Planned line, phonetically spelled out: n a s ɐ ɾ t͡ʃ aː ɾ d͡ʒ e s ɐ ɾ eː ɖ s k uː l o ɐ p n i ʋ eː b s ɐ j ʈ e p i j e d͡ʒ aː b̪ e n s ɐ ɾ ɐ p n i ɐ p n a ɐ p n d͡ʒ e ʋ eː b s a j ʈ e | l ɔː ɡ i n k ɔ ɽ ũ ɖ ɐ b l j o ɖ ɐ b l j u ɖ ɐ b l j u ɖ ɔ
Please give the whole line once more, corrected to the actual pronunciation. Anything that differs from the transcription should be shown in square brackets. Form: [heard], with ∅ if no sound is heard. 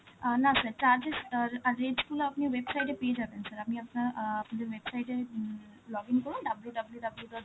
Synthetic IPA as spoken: n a s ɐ ɾ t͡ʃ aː ɾ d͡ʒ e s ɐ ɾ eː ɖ s k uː l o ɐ p n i ʋ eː b s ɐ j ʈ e p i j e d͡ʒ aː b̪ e n s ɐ ɾ ɐ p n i ɐ p n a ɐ p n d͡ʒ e ʋ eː b s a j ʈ e | l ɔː ɡ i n k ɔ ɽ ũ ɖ ɐ b l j [u] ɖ ɐ b l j u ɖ ɐ b l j u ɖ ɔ